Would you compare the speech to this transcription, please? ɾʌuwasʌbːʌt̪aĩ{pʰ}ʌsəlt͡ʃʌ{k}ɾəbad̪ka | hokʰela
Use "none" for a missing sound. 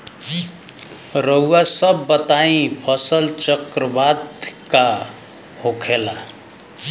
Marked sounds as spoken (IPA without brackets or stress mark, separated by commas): pʰ, k